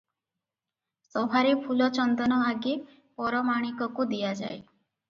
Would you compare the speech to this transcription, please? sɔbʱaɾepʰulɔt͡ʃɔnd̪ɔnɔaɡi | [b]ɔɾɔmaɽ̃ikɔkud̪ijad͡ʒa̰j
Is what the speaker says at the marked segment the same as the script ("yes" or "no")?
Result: no